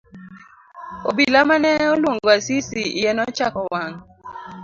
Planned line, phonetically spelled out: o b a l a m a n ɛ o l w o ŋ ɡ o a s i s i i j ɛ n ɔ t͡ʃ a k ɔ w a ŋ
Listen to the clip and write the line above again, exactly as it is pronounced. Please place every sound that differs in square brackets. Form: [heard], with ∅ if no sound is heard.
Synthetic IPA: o b [i] l a m a n ɛ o l w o ŋ ɡ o a s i s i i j ɛ n ɔ t͡ʃ a k ɔ w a ŋ